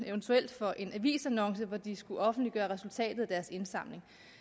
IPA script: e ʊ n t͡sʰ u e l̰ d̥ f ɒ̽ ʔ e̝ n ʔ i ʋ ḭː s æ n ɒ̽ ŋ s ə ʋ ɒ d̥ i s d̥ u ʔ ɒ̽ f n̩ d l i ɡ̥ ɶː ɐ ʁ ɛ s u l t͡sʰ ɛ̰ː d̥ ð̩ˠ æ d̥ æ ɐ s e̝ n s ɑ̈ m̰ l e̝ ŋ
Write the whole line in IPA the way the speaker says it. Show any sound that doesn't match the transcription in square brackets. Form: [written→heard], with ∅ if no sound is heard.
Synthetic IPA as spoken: e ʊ n t͡sʰ u e l̰ d̥ f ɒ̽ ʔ e̝ n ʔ [i→æ] ʋ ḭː s æ n ɒ̽ ŋ s ə ʋ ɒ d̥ i s [d̥→ɡ̥] u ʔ ɒ̽ f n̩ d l i ɡ̥ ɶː ɐ ʁ ɛ s u l t͡sʰ ɛ̰ː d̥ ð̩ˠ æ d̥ æ ɐ s e̝ n s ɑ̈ m̰ l e̝ ŋ